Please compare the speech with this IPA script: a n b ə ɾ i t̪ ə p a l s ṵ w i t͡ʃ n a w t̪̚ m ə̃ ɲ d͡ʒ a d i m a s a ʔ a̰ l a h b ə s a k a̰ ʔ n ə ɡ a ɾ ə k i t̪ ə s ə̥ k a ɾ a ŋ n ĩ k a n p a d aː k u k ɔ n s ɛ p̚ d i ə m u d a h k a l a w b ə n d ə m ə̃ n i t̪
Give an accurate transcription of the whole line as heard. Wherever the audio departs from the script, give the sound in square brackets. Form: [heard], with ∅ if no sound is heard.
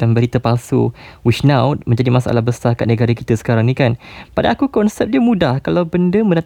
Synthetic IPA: a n b ə ɾ i t̪ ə p a l s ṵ w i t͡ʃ n a w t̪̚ m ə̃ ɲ d͡ʒ a d i m a s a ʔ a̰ l a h b ə s a k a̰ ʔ n ə ɡ a ɾ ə k i t̪ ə s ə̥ k a ɾ a ŋ n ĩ k a n p a d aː k u k ɔ n s ɛ p̚ d i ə m u d a h k a l a w b ə n d ə m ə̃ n [a] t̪